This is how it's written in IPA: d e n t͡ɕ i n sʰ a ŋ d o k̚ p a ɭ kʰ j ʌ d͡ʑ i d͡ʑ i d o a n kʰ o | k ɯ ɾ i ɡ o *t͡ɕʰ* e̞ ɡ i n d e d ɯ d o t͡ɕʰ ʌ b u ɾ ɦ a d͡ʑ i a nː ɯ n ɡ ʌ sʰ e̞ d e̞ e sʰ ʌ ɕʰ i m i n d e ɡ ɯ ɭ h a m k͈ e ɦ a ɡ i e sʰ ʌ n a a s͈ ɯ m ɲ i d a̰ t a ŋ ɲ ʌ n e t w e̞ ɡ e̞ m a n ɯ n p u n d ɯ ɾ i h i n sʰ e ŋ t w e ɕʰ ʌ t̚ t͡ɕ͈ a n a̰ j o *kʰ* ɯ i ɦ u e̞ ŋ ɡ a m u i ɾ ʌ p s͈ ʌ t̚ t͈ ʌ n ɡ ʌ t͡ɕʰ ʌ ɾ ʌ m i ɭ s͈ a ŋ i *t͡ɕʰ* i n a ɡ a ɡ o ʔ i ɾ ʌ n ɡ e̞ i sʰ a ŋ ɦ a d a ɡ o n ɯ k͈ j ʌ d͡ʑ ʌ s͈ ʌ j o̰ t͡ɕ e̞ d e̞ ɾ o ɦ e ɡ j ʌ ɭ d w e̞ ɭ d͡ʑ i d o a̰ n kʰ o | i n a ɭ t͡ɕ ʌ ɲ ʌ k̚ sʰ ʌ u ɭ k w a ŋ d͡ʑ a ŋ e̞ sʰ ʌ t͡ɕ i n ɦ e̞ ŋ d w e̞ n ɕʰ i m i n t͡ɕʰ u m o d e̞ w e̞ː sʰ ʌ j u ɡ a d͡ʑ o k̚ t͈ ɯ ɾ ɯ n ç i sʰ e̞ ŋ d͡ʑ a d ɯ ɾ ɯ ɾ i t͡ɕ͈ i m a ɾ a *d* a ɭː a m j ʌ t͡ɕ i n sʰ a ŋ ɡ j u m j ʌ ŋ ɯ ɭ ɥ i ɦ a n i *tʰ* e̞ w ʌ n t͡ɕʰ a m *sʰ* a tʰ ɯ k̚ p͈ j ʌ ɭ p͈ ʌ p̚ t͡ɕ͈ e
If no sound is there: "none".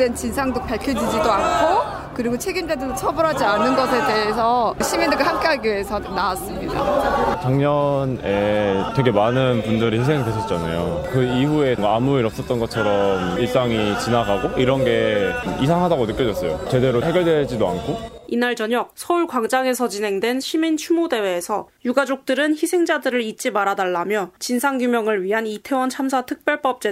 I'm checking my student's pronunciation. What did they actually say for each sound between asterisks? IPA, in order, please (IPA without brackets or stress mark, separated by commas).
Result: t͡ɕʰ, k, t͡ɕ, d, tʰ, sʰ